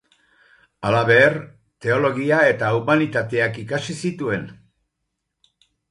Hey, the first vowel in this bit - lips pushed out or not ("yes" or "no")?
no